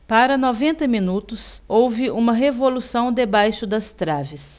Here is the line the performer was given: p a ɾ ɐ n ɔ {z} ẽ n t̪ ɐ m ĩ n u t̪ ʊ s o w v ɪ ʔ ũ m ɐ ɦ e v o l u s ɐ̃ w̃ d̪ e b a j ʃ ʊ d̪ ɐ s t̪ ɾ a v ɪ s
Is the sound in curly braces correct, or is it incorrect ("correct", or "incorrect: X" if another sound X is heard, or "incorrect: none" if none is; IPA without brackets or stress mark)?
incorrect: v